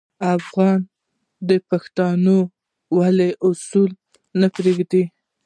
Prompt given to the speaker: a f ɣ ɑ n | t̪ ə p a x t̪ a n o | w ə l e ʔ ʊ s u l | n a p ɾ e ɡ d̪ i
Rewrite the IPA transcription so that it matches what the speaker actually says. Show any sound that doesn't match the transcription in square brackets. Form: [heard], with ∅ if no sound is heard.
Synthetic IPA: a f ɣ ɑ n | [d̪] ə p a x t̪ [ɑ] n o | w [a] l e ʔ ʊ s u l | n a p ɾ e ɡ d̪ i

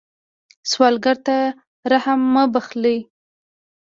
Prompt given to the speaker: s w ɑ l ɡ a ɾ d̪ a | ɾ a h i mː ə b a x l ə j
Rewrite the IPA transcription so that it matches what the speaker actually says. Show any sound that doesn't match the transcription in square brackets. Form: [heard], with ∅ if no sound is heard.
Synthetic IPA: s w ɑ l ɡ a ɾ [t̪] a | ɾ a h [a] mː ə b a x l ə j

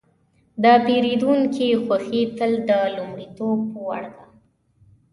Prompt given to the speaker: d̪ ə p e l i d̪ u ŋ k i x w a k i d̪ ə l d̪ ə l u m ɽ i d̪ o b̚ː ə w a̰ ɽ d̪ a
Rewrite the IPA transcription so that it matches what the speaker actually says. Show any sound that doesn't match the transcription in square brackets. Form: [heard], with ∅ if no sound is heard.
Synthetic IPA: d̪ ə p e [ɾ] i d̪ u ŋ k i x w a [x] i [t̪] ə l d̪ ə l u m ɽ i [t̪] o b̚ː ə w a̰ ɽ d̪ a

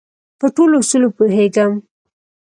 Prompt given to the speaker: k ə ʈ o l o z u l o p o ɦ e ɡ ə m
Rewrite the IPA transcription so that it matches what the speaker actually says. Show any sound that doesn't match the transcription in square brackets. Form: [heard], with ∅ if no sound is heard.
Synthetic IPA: [p] ə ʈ o l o [s] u l o p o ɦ e ɡ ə m

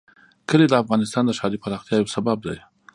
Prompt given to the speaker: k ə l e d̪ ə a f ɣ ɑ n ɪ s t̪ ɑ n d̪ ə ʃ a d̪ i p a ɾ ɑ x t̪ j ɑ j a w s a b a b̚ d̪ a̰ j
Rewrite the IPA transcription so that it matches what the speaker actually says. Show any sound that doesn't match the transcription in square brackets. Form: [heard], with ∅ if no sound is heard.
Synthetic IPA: k ə l e d̪ ə a f ɣ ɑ n ɪ s t̪ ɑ n d̪ ə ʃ [ɑ] d̪ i p a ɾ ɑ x t̪ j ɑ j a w s a b a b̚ d̪ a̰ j

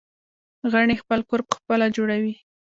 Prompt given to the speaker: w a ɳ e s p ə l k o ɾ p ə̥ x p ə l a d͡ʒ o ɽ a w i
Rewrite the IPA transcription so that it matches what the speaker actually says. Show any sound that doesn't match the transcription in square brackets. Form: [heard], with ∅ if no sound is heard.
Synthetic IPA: [ɣ] a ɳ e [x] p ə l k o ɾ p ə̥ x p ə l a d͡ʒ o ɽ a w i

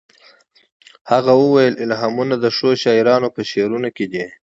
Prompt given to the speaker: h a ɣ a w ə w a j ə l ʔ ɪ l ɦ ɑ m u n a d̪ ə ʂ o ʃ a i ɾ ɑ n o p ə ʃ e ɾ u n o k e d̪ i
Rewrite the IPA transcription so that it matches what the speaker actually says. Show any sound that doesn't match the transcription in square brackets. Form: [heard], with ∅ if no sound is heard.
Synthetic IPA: h a ɣ a w ə w a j ə l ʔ ɪ l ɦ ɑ m u n a d̪ ə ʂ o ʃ [ɑ] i ɾ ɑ n o p ə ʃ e ɾ u n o k e d̪ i

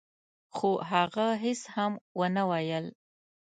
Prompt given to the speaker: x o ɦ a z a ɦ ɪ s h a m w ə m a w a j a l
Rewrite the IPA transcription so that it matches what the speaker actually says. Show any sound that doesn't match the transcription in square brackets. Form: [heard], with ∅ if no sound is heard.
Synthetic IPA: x o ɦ a [ɣ] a ɦ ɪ s h a m w ə [n] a w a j [ə] l

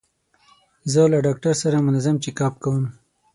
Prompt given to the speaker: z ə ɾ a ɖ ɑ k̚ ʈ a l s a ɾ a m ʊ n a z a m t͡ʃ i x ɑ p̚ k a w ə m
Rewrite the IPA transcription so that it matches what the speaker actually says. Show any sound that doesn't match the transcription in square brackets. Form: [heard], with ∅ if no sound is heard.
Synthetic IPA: z ə [l] a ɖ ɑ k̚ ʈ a [ɾ] s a ɾ a m ʊ n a z a m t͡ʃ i [k] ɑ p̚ k a w ə m

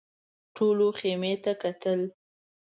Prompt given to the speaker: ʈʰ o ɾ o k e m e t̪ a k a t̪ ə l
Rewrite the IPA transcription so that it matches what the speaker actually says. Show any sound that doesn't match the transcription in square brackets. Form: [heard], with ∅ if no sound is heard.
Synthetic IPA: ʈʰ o [l] o [x] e m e t̪ a k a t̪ ə l

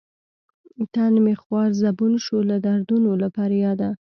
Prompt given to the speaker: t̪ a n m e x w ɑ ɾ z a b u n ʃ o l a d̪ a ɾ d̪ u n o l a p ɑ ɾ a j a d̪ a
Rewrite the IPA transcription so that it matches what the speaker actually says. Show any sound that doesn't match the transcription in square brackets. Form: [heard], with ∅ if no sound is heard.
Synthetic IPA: t̪ a n m e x w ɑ ɾ z a b u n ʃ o l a d̪ a ɾ d̪ u n o l a p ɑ ɾ a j [ɑ] d̪ a

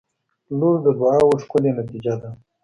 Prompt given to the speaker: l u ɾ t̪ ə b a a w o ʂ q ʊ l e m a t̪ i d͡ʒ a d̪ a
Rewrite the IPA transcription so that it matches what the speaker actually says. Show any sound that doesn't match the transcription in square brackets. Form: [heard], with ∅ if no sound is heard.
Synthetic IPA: l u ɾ [d̪] ə b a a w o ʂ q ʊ l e [n] a t̪ i d͡ʒ a d̪ a

